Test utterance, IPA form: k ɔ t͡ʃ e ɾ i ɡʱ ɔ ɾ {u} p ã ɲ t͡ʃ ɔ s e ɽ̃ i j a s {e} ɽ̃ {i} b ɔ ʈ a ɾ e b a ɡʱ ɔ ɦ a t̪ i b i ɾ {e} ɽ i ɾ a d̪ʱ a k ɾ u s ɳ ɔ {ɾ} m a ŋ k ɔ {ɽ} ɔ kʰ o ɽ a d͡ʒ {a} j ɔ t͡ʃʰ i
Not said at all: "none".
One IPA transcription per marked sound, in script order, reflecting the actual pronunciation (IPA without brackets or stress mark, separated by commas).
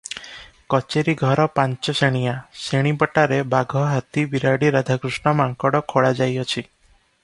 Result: ɔ, e, i, a, none, ɽ, a